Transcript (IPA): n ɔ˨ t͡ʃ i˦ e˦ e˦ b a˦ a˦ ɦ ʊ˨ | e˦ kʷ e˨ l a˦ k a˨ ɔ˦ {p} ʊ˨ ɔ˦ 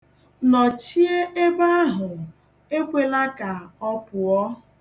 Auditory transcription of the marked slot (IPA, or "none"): p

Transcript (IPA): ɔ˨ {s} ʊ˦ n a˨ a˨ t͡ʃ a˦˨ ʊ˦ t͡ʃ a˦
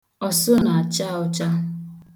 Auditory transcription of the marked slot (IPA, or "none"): s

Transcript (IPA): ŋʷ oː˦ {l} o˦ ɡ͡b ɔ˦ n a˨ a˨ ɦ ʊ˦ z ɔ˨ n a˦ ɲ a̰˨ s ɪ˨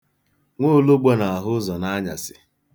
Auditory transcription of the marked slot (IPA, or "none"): l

